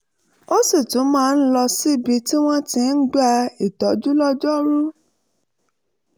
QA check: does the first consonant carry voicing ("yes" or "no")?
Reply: no